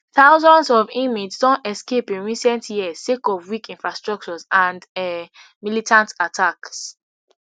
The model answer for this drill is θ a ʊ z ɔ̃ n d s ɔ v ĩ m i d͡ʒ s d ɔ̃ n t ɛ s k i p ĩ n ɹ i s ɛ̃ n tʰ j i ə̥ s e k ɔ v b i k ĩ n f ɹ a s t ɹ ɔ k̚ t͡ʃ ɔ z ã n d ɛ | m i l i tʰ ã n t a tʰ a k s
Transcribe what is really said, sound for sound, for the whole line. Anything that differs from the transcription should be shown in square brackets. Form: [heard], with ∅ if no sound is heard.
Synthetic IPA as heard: θ a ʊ z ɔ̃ n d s ɔ v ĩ m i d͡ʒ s d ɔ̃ n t ɛ s k [e] p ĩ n ɹ i s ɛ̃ n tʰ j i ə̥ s e k ɔ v [w] i k ĩ n f ɹ a s t ɹ ɔ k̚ t͡ʃ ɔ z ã n d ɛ | m i l i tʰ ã n t a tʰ a k s